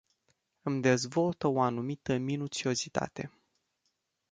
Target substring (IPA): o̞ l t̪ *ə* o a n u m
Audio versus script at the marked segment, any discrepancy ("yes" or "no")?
no